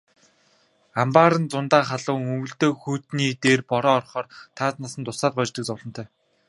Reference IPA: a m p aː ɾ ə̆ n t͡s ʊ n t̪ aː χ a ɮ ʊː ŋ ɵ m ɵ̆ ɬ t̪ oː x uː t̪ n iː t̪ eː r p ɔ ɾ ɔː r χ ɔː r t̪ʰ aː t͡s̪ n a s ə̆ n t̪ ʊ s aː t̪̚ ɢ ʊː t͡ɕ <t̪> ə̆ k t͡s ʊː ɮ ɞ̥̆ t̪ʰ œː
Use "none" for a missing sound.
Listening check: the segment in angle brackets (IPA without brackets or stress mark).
t̪